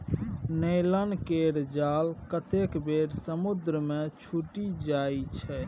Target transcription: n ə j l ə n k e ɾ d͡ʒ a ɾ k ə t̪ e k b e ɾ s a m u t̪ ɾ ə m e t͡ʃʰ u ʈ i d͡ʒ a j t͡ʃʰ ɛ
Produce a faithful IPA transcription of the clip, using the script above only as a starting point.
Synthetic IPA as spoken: n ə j l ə n k e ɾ d͡ʒ a l k ə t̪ e k b e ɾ s ə m u d̪ ɾ ə m e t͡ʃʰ u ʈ i d͡ʒ a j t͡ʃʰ ɛ